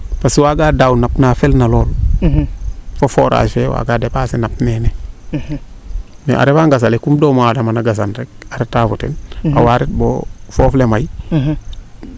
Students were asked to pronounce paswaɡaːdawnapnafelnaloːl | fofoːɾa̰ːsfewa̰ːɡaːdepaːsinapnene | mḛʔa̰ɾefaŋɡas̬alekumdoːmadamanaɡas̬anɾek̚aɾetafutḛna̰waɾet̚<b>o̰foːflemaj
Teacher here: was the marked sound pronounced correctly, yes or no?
yes